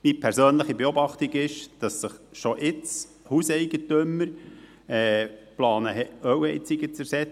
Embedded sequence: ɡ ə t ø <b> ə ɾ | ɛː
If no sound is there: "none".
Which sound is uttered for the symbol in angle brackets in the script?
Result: m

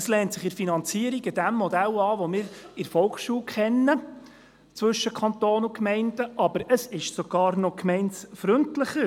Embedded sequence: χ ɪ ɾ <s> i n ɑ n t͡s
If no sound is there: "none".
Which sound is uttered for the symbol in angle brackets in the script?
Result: f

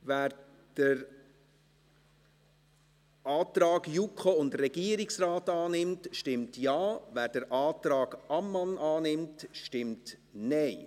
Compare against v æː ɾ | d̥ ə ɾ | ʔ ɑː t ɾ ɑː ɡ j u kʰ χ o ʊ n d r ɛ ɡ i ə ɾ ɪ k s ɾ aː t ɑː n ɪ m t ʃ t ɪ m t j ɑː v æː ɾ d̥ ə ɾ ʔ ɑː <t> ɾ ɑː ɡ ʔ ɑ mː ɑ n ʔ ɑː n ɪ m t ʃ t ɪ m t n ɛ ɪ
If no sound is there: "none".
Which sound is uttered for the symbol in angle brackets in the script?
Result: t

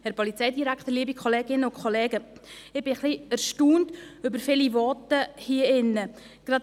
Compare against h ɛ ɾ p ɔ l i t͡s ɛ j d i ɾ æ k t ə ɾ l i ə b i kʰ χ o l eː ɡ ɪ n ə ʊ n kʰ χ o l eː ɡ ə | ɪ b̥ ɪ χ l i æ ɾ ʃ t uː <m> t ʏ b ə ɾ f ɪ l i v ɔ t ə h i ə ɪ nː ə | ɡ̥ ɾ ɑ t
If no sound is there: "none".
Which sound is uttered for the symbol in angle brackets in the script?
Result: n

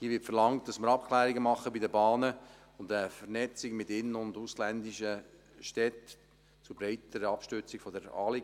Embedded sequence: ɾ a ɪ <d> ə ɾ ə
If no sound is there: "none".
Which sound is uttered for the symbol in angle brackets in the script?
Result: t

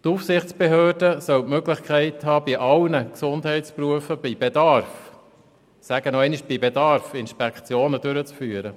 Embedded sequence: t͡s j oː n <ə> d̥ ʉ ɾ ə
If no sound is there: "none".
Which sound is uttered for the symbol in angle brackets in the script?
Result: ə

